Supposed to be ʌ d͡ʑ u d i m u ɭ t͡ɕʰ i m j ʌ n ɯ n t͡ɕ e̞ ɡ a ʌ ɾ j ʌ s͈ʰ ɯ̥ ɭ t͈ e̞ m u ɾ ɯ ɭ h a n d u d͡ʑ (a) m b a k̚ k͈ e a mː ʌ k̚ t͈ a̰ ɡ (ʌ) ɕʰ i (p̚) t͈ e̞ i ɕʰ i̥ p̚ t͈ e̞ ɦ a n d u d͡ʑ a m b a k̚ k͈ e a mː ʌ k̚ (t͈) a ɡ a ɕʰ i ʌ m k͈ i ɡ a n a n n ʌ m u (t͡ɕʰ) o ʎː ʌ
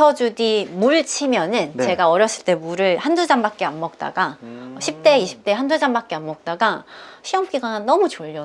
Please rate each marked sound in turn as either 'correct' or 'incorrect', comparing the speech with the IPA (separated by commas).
correct, incorrect, correct, correct, incorrect